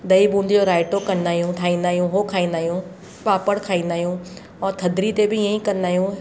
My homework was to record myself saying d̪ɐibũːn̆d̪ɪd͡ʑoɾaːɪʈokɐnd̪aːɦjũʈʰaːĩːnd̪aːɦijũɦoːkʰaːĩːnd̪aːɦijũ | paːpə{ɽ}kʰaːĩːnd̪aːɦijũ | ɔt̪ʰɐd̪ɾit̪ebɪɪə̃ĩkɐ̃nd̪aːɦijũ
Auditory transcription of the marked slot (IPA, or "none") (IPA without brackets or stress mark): ɽ